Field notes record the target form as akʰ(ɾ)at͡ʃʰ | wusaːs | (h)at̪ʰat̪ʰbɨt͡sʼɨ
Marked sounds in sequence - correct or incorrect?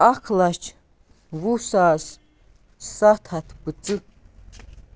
incorrect: l, incorrect: s

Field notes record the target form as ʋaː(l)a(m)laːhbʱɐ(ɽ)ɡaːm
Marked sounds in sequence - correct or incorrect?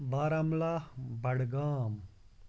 incorrect: ɾ, correct, correct

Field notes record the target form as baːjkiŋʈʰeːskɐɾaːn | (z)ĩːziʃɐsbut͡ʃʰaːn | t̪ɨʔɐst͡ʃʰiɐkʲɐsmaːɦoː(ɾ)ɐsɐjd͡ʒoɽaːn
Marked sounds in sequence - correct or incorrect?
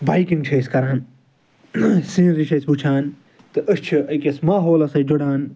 incorrect: s, incorrect: l

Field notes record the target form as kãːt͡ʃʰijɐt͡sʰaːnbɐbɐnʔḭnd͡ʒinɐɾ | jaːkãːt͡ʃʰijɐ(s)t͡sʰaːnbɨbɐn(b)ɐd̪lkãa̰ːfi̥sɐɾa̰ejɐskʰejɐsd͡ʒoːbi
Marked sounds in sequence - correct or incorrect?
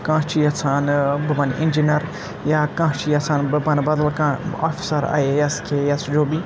incorrect: none, correct

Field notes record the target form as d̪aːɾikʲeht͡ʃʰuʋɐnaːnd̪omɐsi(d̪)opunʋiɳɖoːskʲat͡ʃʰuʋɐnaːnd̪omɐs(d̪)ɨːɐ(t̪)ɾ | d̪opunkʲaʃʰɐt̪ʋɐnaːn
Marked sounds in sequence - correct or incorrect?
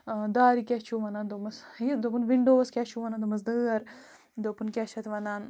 correct, correct, incorrect: none

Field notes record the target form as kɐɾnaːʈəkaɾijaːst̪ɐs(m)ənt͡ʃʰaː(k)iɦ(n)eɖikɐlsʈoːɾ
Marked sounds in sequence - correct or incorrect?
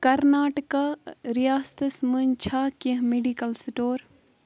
correct, correct, incorrect: m

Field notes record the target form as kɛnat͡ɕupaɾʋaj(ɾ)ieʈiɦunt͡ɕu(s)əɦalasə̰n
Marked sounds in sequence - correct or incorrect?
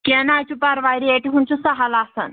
correct, correct

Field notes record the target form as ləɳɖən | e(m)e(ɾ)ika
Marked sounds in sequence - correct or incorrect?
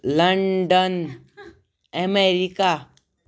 correct, correct

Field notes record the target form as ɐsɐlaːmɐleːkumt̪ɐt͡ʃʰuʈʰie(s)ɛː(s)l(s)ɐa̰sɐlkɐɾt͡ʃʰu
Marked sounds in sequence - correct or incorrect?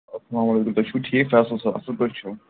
incorrect: f, correct, correct

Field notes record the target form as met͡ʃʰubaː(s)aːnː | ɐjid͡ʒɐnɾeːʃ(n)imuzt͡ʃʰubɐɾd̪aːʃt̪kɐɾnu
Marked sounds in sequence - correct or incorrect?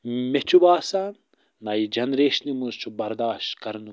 correct, correct

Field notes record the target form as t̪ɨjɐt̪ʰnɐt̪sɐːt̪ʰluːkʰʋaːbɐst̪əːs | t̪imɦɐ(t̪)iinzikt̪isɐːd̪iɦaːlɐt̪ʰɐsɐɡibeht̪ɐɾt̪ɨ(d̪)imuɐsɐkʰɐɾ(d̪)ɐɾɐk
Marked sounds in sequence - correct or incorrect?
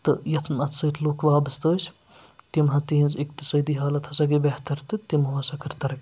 correct, incorrect: t̪, incorrect: t̪

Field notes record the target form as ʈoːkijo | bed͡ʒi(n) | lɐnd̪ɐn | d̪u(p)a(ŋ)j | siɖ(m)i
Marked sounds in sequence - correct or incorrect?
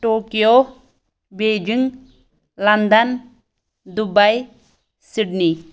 incorrect: ŋ, incorrect: b, incorrect: none, incorrect: n

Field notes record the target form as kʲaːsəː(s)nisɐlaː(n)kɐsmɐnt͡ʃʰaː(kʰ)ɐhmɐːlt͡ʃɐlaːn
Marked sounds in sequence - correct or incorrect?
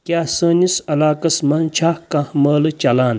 incorrect: none, incorrect: none, incorrect: k

